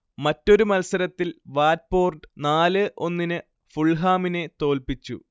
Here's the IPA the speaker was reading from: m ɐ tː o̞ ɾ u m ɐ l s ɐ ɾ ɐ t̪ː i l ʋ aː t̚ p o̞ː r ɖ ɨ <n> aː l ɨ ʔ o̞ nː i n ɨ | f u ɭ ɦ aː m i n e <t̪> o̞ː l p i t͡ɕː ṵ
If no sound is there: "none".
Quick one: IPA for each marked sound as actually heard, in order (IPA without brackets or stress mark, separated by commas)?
n, t̪